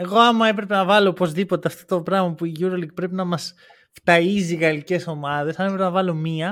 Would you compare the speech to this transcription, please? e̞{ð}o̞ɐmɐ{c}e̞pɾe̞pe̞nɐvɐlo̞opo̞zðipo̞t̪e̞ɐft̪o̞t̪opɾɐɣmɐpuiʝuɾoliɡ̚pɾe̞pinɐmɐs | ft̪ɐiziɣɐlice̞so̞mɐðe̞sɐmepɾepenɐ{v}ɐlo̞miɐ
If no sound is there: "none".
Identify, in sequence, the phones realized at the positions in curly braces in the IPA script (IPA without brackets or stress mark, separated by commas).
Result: ɣ, none, v